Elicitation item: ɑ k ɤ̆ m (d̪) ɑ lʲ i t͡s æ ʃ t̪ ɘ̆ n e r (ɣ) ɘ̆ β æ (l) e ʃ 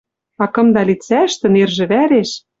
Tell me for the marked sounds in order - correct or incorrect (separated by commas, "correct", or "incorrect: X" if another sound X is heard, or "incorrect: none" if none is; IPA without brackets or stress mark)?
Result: correct, incorrect: ʒ, incorrect: ɾ